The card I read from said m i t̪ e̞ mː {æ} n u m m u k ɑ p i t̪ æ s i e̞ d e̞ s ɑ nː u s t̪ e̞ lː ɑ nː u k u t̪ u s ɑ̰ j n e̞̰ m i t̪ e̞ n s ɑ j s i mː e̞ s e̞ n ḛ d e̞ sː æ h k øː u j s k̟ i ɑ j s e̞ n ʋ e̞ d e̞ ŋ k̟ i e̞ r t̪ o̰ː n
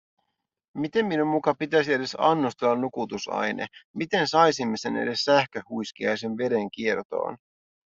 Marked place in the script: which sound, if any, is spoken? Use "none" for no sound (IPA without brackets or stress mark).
i